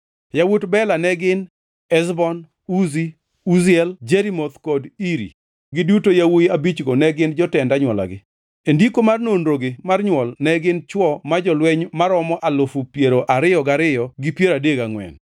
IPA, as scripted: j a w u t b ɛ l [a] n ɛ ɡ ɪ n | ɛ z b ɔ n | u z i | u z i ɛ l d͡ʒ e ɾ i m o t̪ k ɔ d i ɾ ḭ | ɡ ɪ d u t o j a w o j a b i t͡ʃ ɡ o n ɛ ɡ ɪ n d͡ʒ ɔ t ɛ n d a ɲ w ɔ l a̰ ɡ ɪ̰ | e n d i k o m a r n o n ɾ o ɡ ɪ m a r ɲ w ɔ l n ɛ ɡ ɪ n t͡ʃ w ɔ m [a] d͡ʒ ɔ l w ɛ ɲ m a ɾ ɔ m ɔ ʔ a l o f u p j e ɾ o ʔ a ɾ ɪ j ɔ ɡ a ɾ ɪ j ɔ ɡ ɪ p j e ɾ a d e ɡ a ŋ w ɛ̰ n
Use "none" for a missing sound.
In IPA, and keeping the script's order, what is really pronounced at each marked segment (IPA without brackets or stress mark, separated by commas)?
a, a